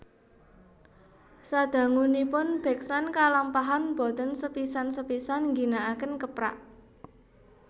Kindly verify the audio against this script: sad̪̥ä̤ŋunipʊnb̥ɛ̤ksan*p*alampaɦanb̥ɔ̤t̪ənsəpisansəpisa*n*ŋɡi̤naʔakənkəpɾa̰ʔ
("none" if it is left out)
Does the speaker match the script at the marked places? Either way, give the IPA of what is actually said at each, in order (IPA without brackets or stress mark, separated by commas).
k, n